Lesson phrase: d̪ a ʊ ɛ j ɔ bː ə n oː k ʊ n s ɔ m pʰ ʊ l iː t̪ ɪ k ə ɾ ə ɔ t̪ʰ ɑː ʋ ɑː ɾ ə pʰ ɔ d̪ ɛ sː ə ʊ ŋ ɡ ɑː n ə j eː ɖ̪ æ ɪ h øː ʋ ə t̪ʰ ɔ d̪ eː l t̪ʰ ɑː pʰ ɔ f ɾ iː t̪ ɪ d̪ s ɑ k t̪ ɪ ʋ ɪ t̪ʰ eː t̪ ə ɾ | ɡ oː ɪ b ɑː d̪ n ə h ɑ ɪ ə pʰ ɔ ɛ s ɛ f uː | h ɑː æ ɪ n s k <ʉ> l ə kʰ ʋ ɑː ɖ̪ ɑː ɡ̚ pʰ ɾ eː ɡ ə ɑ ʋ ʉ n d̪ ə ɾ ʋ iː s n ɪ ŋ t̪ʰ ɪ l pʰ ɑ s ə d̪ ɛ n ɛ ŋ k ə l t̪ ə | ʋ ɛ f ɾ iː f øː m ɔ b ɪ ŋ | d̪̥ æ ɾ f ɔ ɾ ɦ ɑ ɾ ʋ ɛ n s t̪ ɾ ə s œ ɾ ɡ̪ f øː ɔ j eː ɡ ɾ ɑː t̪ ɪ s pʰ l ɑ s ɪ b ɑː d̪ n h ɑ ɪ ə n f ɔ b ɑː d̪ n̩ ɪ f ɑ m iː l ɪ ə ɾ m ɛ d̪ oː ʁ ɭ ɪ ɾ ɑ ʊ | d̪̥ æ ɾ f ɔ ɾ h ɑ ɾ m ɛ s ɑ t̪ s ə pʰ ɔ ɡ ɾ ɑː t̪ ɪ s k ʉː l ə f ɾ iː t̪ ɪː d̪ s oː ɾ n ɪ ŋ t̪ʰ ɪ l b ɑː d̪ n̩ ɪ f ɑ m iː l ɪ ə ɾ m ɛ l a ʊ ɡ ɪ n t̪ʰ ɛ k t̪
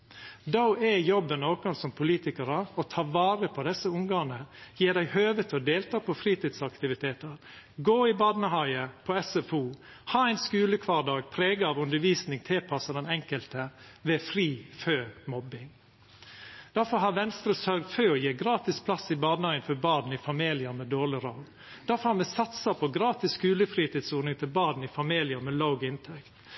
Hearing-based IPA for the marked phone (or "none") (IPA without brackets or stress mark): ʉː